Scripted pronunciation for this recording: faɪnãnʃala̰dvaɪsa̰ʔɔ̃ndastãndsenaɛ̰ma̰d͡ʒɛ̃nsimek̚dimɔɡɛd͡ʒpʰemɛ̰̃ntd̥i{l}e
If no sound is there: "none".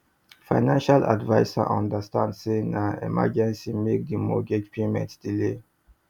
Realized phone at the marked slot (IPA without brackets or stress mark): l